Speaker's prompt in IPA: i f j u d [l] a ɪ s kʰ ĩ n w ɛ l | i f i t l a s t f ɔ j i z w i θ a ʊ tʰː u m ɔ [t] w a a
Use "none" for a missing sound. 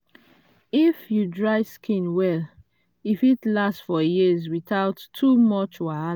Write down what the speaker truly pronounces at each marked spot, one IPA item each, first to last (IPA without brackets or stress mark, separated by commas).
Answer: ɹ, t͡ʃ